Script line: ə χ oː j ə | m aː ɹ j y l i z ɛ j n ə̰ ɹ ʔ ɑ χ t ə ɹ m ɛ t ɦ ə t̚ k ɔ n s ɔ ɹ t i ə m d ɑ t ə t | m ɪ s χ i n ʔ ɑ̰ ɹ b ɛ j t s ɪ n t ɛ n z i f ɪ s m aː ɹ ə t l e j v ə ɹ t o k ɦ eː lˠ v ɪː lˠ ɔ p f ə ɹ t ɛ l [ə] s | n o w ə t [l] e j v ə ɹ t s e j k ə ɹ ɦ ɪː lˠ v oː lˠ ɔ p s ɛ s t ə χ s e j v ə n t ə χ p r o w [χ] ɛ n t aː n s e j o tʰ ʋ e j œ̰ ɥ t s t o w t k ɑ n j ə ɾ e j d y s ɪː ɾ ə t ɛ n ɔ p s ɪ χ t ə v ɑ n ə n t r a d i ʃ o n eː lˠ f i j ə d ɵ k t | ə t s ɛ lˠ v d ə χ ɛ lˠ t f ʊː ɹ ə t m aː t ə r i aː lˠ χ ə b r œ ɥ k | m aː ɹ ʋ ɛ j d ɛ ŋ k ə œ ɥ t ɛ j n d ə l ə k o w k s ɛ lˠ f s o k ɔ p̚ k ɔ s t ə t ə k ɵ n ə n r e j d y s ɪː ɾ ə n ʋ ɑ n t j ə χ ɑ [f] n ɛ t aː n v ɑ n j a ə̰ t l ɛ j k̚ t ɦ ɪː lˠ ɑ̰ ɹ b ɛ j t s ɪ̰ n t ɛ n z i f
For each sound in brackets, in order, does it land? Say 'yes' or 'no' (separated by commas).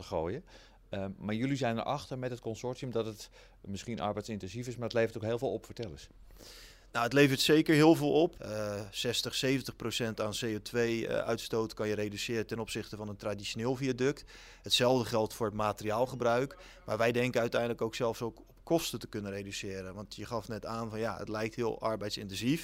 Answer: yes, yes, no, yes